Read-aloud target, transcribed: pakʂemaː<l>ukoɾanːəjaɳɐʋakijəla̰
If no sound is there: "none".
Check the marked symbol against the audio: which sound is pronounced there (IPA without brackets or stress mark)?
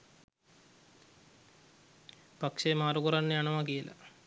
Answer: ɾ